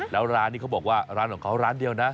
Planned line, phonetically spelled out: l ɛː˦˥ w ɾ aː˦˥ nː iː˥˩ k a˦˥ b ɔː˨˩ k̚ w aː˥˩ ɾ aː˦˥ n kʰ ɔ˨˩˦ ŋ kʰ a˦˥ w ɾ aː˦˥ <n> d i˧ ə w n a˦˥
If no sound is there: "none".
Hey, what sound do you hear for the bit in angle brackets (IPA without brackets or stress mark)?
n